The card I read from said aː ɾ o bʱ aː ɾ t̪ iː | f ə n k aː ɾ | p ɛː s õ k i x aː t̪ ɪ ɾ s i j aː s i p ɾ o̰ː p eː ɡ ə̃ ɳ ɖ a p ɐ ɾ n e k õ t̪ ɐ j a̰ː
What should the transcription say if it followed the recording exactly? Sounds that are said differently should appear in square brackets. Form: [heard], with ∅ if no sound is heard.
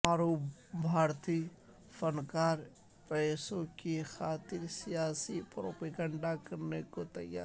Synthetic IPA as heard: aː ɾ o bʱ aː ɾ t̪ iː | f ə n k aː ɾ | p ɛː s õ k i x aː t̪ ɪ ɾ s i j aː s i p ɾ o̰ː p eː ɡ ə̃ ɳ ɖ a [k] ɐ ɾ n e k [o] t̪ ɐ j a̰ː